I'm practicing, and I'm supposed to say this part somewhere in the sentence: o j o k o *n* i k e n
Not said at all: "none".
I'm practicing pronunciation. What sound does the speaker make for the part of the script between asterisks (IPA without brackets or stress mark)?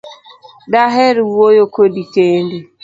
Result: d